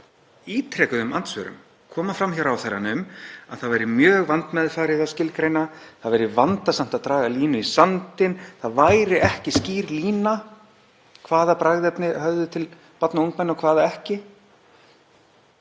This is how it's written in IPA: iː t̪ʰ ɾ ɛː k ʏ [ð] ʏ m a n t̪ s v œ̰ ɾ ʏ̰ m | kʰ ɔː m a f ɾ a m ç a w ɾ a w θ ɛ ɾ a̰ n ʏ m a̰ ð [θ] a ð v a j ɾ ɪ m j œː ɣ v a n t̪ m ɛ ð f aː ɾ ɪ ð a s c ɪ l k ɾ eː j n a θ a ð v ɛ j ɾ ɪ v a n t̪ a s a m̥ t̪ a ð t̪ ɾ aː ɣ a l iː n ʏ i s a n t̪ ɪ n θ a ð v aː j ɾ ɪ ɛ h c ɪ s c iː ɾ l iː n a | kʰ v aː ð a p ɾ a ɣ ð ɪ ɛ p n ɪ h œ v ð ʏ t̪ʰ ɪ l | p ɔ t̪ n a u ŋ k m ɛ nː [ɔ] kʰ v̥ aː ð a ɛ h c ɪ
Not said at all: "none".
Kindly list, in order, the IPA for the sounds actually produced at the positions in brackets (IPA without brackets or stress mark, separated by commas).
ð, θ, ɔ